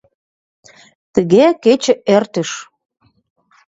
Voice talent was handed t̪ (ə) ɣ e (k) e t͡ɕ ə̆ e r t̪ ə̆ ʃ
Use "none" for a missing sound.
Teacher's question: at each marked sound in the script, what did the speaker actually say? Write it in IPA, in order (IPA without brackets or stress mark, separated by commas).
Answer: ə, k